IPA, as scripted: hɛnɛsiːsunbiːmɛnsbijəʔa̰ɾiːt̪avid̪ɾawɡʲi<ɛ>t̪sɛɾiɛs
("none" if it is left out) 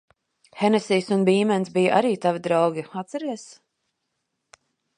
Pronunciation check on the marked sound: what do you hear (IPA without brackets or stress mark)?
a